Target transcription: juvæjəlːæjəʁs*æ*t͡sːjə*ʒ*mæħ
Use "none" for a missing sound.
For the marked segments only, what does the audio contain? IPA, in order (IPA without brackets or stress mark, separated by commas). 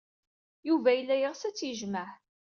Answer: æ, ʒ